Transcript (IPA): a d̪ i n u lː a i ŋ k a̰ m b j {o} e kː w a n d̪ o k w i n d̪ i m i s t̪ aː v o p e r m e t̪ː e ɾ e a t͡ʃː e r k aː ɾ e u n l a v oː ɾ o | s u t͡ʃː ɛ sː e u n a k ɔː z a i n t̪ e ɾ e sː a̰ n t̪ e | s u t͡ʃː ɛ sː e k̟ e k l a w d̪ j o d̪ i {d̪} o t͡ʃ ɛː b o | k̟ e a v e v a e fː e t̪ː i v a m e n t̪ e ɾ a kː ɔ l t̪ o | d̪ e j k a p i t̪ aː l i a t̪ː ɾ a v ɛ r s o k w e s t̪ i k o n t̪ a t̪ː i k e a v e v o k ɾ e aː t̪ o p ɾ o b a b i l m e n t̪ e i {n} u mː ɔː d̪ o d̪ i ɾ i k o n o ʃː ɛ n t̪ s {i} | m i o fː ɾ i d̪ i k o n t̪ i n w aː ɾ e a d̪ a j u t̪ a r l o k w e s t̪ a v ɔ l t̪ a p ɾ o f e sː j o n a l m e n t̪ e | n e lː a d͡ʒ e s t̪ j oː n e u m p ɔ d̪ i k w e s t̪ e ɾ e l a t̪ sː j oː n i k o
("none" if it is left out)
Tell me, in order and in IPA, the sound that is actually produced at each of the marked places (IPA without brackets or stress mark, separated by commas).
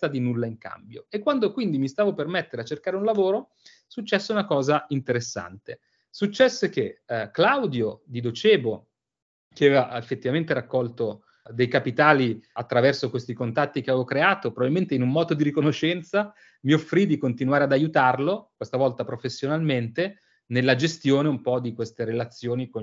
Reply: o, d̪, n, a